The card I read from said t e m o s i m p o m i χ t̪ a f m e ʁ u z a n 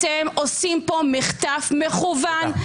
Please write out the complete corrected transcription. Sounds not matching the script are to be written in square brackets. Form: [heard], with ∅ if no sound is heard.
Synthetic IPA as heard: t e m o s i m p o m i χ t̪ a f m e [χ] u [v] a n